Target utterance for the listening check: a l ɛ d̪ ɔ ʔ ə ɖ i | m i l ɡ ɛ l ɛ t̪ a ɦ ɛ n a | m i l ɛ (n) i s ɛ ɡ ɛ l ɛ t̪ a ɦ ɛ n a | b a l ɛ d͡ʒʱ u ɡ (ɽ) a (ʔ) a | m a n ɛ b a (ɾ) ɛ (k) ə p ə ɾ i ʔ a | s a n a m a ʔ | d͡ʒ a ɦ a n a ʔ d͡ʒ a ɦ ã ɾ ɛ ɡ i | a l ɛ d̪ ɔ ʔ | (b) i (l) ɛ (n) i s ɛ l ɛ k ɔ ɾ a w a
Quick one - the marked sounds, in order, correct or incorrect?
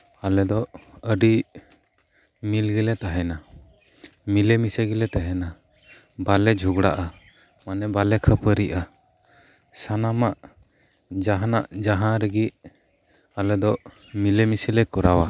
incorrect, correct, correct, incorrect, incorrect, incorrect, correct, incorrect

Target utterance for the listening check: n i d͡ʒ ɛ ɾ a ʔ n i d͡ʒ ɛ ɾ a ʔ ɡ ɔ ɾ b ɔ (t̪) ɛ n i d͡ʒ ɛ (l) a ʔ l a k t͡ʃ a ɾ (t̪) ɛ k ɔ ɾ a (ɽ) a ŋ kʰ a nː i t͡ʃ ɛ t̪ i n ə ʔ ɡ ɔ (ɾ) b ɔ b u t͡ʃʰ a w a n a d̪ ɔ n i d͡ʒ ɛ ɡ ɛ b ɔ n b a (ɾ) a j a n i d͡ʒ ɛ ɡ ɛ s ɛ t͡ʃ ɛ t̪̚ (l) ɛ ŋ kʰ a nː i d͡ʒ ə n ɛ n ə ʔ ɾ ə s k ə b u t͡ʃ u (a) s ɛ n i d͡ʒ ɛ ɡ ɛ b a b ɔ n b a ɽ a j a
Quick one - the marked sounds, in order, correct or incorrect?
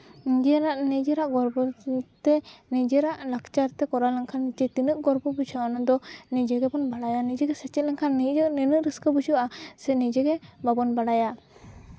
correct, incorrect, correct, incorrect, correct, incorrect, correct, correct

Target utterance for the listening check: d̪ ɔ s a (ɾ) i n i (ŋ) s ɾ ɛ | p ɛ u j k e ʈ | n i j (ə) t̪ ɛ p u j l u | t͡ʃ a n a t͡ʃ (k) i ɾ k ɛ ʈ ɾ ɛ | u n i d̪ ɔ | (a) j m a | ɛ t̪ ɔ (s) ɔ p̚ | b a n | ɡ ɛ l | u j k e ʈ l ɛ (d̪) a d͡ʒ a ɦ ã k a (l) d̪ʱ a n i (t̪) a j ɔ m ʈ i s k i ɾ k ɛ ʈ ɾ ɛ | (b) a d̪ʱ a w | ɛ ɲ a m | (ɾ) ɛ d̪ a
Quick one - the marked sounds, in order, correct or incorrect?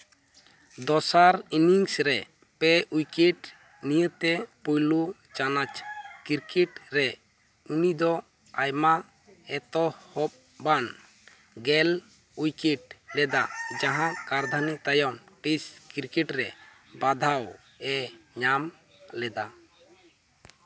correct, correct, correct, correct, correct, incorrect, correct, incorrect, correct, correct, incorrect

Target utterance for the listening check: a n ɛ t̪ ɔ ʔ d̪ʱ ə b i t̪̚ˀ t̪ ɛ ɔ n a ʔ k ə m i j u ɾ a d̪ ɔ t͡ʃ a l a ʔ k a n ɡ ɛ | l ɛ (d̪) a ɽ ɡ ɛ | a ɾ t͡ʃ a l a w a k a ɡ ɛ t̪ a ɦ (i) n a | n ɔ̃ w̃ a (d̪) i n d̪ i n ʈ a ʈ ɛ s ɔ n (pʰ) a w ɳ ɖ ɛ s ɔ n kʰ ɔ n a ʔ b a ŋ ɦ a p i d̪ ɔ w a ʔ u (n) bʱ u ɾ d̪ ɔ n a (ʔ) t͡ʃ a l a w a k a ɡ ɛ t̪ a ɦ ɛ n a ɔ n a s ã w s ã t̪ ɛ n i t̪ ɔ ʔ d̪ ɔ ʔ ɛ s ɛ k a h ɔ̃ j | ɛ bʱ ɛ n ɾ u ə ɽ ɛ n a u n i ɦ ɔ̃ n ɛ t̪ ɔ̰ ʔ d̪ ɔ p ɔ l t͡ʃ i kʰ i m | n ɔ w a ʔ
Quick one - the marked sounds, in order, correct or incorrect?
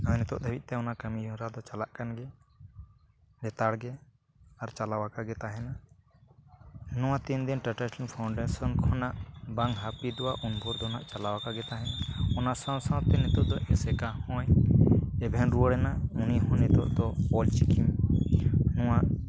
incorrect, incorrect, incorrect, correct, correct, correct

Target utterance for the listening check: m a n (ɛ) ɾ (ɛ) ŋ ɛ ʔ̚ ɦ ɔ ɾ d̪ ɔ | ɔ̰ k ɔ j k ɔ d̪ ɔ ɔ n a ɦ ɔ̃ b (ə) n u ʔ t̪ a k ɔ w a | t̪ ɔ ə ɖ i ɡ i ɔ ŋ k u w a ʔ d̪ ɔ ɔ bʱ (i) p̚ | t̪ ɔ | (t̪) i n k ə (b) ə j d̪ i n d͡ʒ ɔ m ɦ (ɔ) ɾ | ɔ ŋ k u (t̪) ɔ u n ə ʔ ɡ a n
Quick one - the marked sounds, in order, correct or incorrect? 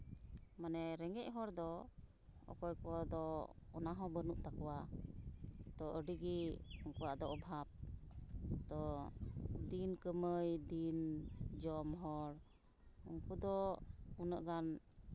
correct, correct, correct, incorrect, incorrect, incorrect, correct, incorrect

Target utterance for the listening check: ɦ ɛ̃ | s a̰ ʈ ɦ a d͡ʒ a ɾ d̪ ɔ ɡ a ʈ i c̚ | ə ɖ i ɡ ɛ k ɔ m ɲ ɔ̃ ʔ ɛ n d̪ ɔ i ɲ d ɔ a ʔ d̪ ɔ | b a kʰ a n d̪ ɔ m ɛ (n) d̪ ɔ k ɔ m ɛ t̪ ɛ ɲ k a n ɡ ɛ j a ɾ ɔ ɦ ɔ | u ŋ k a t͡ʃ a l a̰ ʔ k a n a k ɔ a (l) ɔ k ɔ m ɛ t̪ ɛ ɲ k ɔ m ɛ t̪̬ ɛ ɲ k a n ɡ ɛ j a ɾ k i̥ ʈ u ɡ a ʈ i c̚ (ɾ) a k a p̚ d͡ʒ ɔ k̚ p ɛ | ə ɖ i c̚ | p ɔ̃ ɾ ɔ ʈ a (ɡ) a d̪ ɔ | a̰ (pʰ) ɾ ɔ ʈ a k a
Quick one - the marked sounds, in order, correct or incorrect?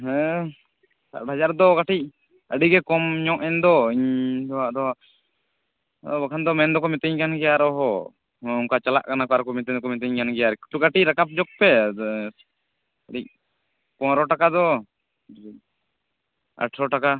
correct, incorrect, correct, incorrect, incorrect

